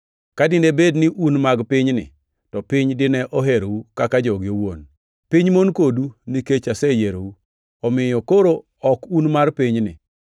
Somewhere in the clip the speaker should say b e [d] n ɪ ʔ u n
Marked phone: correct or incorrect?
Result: correct